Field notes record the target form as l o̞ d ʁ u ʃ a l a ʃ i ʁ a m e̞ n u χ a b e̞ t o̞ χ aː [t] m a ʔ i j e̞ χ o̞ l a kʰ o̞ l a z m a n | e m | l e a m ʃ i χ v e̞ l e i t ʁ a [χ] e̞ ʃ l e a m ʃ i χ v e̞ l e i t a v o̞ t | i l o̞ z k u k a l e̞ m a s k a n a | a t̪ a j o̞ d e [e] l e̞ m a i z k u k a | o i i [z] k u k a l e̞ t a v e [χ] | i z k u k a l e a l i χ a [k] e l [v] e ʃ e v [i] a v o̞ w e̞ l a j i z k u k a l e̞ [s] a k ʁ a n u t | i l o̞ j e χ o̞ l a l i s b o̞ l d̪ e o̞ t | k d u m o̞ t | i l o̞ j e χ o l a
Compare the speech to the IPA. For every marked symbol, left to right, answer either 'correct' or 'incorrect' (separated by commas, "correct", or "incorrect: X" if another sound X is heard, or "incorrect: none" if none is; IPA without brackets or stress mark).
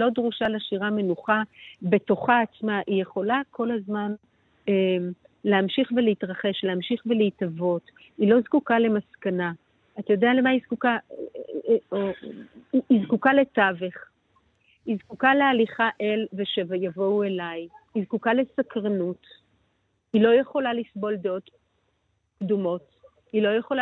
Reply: incorrect: t͡s, correct, incorrect: a, correct, correct, incorrect: ʔ, correct, incorrect: j, correct